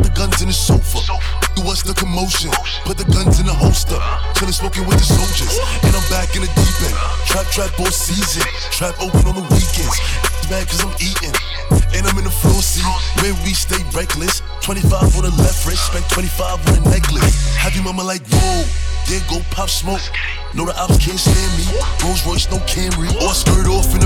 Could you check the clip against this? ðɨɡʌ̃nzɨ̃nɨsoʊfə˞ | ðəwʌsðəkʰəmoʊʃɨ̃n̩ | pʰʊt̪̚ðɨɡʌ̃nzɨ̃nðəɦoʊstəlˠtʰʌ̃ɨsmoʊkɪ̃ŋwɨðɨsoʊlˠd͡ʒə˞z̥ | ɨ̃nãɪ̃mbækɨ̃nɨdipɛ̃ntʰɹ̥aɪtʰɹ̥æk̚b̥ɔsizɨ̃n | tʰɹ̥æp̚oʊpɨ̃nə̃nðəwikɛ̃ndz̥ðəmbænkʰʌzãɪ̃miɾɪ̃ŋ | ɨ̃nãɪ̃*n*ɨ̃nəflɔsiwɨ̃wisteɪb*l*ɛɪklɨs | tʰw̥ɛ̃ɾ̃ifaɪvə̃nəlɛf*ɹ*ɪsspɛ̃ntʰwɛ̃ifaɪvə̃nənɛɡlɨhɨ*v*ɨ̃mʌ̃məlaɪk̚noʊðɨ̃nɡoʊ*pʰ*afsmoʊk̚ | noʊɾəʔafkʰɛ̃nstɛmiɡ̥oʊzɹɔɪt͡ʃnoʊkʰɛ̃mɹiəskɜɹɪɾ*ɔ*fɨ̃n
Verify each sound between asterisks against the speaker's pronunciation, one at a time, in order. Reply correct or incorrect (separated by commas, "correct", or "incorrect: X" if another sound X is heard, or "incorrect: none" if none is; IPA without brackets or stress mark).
incorrect: m, incorrect: ɹ, correct, correct, correct, correct